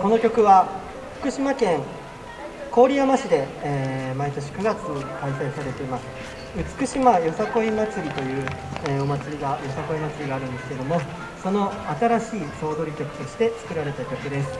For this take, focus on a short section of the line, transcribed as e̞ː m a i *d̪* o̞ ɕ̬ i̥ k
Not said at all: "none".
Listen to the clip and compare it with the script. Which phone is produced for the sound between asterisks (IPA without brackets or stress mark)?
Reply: t̪